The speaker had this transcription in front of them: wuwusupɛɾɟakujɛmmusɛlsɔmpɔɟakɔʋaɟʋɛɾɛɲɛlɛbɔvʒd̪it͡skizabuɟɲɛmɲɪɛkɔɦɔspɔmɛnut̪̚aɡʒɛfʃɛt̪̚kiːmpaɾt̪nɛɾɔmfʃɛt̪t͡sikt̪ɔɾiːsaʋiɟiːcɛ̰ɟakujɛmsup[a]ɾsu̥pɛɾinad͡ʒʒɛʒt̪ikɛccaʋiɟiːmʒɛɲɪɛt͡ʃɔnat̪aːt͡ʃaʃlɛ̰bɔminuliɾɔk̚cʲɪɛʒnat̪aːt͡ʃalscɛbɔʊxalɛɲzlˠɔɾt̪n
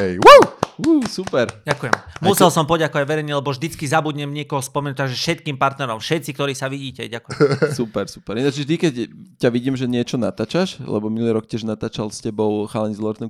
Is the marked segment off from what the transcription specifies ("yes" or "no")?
yes